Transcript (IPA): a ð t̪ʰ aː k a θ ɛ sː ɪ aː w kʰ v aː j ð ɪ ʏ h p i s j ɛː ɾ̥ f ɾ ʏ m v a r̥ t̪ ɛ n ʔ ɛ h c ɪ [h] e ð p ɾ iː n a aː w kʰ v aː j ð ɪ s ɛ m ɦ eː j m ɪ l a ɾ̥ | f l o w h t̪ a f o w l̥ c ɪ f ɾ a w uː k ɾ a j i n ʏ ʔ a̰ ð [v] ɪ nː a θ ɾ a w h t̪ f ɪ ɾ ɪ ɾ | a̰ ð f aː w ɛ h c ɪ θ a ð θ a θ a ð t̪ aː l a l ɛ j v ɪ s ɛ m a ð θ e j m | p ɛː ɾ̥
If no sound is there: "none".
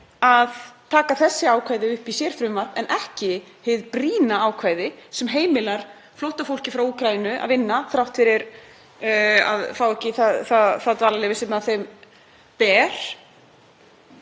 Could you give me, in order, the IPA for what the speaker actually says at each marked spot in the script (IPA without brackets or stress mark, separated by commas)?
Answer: h, v